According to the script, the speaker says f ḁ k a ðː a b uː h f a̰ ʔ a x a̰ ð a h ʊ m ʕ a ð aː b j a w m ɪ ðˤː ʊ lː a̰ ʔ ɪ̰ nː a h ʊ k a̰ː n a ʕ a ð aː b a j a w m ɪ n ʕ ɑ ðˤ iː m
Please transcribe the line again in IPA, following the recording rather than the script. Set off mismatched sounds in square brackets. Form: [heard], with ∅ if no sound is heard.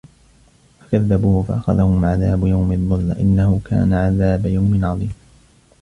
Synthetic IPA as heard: f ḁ k a ðː a b uː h f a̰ ʔ a x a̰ ð a h ʊ m ʕ a ð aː b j a w m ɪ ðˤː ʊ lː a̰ ʔ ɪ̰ nː a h ʊ k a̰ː n a ʕ a ð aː b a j a w m ɪ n ʕ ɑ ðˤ iː m